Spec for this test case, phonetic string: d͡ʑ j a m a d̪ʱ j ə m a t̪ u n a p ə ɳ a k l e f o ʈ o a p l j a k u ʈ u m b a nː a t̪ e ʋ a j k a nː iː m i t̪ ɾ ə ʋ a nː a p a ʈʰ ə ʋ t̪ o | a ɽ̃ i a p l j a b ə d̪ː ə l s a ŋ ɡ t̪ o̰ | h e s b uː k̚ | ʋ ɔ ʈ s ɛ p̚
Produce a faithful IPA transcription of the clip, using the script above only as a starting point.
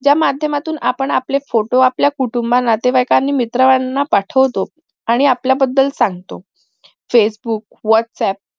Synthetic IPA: d͡ʑ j a m a d̪ʱ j ə m a t̪ uː n a p ə ɳ a p l e f o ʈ o a p l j a k u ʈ u m b a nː a t̪ e ʋ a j k a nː iː m i t̪ ɾ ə ʋ a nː a p a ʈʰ ə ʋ t̪ o | a ɽ̃ i a p l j a b ə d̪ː ə l s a ŋ ɡ t̪ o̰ | f e s b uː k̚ | ʋ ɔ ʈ s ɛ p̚